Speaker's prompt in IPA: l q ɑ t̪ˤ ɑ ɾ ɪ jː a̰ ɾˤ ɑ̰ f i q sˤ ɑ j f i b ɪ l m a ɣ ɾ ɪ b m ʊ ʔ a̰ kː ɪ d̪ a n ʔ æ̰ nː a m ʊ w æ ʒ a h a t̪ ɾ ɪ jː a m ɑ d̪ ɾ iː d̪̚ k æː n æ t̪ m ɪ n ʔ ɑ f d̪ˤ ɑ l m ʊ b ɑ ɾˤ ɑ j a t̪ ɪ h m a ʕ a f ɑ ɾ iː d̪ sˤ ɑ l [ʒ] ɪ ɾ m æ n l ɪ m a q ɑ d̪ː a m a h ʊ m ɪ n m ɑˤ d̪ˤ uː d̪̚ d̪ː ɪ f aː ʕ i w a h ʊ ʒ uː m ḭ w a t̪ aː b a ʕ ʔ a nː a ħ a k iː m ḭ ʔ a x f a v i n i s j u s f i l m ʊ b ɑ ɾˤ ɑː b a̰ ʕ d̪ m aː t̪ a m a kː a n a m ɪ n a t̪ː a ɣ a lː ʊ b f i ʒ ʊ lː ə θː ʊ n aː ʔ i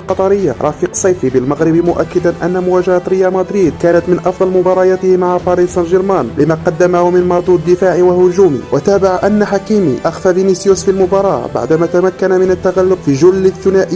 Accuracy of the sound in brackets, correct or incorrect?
correct